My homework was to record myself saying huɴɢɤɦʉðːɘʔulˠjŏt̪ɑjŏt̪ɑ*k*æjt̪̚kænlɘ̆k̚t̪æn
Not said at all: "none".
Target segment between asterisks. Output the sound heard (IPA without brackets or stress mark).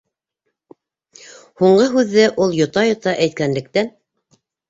ʔ